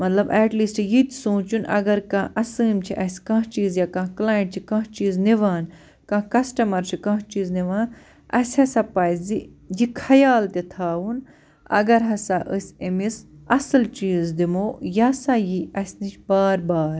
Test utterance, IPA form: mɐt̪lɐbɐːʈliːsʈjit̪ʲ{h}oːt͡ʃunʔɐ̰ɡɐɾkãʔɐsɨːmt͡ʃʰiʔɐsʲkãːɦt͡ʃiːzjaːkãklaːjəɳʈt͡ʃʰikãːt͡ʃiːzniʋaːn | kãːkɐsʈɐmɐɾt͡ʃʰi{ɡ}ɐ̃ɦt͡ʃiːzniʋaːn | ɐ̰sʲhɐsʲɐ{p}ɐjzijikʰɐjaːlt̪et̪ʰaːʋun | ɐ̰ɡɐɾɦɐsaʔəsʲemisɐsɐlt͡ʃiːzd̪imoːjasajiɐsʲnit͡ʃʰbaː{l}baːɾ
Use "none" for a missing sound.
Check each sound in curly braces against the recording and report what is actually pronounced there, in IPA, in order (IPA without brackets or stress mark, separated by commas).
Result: s, k, p, ɾ